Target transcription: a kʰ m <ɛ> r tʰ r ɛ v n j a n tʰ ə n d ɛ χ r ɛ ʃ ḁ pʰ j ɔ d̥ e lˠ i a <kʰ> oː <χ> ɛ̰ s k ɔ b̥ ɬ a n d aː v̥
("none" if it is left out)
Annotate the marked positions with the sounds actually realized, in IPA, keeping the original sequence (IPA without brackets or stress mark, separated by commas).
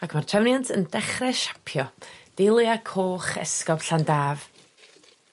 a, kʰ, χ